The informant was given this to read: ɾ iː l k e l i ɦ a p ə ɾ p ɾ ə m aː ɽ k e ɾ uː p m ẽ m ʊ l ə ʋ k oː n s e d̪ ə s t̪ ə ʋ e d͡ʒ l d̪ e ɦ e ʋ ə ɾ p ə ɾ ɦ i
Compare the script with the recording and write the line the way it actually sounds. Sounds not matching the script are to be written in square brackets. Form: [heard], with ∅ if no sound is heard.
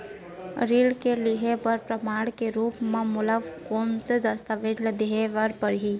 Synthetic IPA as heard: ɾ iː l k e l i ɦ [e] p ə ɾ p ɾ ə m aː ɽ k e ɾ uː p m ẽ m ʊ l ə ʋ k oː n s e d̪ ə s t̪ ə ʋ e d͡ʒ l d̪ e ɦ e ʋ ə ɾ p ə ɾ ɦ i